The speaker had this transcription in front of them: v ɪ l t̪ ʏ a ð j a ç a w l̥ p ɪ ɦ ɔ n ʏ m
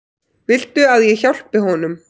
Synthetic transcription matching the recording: v ɪ l t̪ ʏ a ð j ɛ ç a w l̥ p ɪ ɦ ɔ n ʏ m